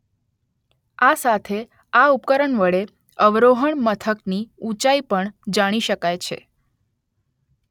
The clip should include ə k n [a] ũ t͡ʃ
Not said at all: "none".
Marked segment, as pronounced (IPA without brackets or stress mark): i